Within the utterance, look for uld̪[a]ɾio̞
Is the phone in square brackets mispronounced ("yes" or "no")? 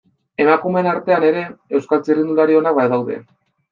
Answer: no